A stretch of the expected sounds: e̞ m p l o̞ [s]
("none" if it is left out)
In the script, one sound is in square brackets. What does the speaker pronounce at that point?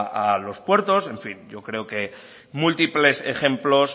s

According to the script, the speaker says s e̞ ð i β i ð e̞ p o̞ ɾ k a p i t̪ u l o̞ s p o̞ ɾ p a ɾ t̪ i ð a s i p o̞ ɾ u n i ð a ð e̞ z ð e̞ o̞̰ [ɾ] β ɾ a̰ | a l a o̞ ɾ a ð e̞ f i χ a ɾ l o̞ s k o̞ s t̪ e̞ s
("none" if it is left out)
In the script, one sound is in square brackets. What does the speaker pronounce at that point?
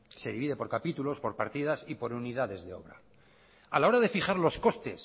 none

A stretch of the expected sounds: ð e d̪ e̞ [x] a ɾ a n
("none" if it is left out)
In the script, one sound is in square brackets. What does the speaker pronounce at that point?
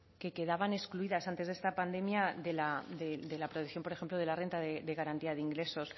ɣ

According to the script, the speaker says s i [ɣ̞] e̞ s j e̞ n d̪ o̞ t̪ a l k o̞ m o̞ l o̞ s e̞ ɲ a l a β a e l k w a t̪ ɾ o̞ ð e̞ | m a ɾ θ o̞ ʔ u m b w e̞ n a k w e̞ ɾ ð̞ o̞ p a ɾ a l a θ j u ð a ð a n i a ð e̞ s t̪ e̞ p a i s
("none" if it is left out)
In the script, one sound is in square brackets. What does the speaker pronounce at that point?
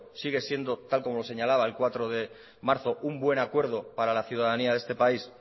ɣ̞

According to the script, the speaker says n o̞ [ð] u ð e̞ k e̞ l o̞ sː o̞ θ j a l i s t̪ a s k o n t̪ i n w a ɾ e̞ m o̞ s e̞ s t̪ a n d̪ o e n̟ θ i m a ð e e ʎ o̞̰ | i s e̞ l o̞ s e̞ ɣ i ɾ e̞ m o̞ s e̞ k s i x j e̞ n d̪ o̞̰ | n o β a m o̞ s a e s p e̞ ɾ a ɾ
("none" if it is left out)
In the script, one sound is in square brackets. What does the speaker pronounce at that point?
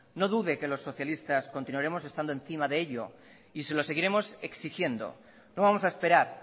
ð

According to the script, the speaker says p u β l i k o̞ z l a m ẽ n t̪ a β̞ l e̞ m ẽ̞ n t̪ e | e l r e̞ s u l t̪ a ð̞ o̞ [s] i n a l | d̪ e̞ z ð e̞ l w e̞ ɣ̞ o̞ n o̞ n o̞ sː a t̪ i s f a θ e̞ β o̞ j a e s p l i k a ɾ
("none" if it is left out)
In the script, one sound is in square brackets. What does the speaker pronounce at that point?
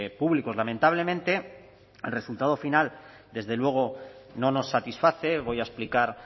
f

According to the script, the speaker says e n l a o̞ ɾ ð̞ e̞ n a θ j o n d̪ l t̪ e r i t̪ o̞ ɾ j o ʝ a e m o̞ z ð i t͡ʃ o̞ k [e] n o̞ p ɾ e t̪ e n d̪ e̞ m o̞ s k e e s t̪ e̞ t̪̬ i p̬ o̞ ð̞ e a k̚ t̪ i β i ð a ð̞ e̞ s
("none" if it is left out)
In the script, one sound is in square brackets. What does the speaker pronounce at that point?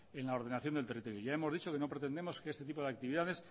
e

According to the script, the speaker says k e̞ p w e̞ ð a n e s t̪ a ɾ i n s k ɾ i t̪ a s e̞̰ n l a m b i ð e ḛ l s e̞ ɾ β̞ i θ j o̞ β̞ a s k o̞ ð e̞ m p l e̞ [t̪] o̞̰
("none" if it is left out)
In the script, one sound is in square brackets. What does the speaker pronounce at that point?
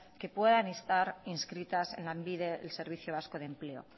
none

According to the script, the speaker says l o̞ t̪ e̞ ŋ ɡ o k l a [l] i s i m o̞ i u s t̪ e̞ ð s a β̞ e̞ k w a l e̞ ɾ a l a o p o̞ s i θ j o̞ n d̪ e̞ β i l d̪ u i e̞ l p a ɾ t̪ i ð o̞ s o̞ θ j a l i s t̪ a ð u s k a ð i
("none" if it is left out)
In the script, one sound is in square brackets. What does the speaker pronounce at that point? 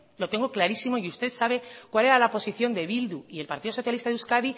ɾ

